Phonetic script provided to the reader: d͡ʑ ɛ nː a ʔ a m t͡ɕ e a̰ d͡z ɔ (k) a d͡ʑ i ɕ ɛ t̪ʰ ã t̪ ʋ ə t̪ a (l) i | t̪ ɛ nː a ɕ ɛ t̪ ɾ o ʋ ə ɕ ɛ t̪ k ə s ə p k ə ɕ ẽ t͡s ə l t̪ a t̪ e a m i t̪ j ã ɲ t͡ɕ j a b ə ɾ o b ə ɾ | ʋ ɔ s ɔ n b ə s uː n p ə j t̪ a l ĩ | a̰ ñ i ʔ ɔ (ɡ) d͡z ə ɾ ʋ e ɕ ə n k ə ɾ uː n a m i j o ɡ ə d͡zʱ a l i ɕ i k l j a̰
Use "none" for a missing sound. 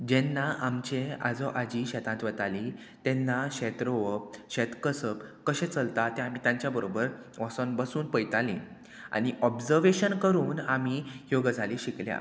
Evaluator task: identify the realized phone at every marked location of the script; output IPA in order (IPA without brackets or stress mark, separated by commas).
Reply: ʔ, l, b